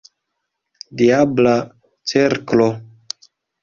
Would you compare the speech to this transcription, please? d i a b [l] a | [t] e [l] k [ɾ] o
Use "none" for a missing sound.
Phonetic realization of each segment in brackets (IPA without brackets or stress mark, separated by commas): l, t͡s, ɾ, l